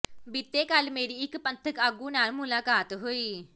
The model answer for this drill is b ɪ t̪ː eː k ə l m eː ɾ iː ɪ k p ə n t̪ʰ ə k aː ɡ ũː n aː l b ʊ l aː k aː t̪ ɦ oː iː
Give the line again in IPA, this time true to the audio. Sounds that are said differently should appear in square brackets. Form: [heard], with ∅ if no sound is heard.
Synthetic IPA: b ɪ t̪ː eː k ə l m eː ɾ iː ɪ k p ə n t̪ʰ ə k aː ɡ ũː n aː l [m] ʊ l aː k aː t̪ ɦ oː iː